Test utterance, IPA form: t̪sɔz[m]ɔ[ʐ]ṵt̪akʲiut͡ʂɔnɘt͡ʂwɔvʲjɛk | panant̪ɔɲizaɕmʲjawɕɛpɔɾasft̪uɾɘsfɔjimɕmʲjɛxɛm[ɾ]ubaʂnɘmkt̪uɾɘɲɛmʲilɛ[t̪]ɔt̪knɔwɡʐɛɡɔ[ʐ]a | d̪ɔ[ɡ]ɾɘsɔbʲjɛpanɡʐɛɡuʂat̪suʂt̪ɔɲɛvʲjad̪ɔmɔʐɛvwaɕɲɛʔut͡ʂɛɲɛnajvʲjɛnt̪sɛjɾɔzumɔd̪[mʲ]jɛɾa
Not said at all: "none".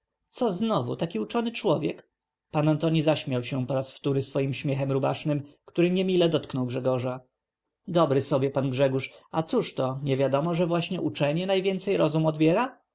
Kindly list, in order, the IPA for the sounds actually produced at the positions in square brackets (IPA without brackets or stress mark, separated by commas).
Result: n, v, ɾ, d̪, ʐ, b, bʲ